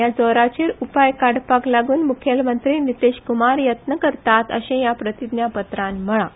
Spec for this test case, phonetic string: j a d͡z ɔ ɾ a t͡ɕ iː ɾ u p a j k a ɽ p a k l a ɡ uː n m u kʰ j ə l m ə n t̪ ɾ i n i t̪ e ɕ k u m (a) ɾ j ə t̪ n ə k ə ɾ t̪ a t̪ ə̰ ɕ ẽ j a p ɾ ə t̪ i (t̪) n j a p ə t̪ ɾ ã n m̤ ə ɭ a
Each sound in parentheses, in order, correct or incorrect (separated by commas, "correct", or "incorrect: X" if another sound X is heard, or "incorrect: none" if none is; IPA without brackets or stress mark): correct, incorrect: d̪